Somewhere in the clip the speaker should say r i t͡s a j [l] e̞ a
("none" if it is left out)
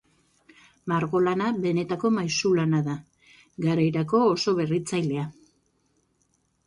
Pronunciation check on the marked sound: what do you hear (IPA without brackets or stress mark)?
l